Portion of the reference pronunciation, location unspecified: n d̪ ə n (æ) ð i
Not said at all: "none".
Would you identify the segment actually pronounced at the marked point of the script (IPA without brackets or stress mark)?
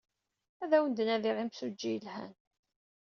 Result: æ